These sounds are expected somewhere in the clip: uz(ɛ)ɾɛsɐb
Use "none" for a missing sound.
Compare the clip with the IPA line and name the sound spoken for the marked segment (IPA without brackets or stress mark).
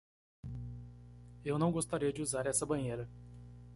a